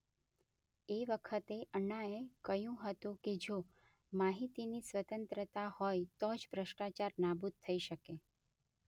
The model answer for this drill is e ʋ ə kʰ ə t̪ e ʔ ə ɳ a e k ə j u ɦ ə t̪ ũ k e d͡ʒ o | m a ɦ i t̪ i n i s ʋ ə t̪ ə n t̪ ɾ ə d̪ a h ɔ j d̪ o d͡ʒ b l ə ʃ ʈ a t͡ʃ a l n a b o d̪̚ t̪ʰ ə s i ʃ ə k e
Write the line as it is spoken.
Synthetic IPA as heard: e ʋ ə kʰ ə t̪ e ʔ ə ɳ a e k ə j ũ ɦ ə t̪ ũ k e d͡ʒ o | m a ɦ i t̪ i n i s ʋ ə t̪ ə n t̪ ɾ ə t̪ a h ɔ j t̪ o d͡ʒ b ɾ ə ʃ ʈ a t͡ʃ a ɾ n a b u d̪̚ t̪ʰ ə i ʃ ə k e